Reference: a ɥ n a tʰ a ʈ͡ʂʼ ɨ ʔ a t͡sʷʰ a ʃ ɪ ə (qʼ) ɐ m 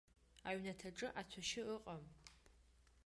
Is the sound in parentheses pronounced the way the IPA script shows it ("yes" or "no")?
yes